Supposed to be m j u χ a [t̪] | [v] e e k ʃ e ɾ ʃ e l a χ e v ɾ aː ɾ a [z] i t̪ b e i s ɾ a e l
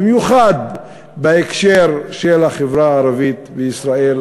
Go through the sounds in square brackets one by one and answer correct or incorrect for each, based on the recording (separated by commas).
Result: incorrect, incorrect, incorrect